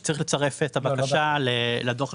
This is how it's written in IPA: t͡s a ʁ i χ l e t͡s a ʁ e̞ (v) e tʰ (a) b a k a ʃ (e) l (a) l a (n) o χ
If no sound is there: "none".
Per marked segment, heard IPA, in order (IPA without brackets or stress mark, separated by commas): f, a, a, e, d